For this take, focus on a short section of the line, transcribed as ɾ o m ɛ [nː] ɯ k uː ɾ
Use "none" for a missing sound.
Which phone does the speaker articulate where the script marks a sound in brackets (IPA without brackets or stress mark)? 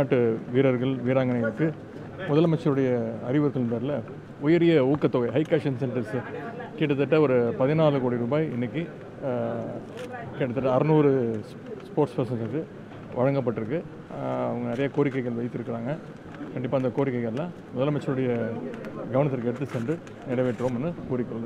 nː